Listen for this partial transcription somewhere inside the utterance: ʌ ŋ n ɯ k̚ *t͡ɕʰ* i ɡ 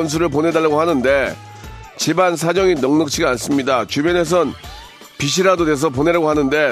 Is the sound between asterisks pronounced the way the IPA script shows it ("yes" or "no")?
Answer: yes